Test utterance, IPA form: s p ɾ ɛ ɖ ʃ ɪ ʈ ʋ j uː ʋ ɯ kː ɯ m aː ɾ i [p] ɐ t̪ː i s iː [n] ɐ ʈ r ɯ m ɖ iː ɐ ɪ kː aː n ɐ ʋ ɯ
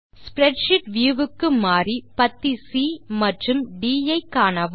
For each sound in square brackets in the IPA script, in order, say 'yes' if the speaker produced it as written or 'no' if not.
yes, no

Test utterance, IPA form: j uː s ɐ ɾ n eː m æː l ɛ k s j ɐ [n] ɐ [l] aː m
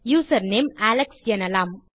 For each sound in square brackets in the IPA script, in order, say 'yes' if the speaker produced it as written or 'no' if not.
yes, yes

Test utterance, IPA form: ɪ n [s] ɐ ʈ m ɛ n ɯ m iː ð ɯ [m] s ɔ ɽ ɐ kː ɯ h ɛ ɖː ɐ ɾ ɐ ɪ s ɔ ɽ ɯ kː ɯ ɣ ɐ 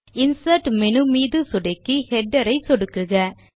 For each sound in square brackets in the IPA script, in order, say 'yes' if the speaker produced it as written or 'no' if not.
yes, no

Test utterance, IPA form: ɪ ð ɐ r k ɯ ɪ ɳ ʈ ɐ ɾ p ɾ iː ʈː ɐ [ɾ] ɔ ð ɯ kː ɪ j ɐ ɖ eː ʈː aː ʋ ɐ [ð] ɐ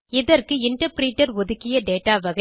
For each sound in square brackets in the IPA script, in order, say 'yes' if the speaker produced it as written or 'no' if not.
yes, no

